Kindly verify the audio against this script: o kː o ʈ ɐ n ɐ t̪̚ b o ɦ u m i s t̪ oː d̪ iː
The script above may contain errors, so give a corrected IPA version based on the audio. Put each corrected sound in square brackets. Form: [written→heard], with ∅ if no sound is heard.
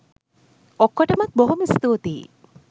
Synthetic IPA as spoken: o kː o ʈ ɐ [n→m] ɐ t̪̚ b o ɦ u m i s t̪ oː [d̪→t̪] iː